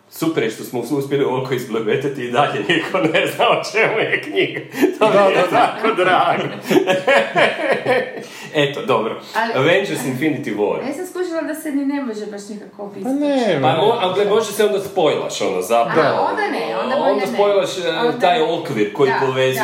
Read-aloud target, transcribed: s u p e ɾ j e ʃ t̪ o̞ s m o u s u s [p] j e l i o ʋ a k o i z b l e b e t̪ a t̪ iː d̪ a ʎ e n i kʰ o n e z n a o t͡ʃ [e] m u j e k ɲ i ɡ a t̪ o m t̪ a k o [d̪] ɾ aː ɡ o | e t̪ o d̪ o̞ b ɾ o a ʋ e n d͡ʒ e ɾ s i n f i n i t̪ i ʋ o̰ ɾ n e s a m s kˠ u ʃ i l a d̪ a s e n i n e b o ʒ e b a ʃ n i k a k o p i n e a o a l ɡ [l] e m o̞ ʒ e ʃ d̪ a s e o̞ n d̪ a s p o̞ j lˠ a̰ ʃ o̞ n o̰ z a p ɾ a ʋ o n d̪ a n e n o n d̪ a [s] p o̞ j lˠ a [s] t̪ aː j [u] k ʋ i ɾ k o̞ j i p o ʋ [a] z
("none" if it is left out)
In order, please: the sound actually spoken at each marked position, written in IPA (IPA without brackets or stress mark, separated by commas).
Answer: p, e, d̪, l, s, ʃ, o, e